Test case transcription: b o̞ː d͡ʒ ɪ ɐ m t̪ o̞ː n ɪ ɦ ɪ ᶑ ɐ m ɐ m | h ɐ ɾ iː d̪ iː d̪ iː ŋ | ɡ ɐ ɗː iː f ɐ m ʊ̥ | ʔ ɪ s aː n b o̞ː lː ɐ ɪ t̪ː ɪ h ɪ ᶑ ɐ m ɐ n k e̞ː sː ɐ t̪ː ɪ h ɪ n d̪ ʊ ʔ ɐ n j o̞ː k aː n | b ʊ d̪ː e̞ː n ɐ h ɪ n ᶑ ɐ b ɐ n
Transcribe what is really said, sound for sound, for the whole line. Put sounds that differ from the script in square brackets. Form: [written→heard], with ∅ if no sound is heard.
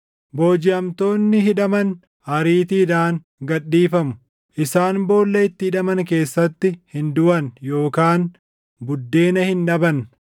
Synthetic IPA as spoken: b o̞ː d͡ʒ ɪ ɐ m t̪ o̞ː [n→nː] ɪ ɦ ɪ ᶑ ɐ m ɐ [m→n] | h ɐ ɾ iː [d̪→t̪] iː d̪ [iː→aː] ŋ | ɡ ɐ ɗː iː f ɐ m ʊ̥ | ʔ ɪ s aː n b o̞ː lː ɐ ɪ t̪ː ɪ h ɪ ᶑ ɐ m ɐ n k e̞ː sː ɐ t̪ː ɪ h ɪ n d̪ ʊ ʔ ɐ n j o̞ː k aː n | b ʊ d̪ː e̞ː n ɐ h ɪ n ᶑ ɐ b ɐ n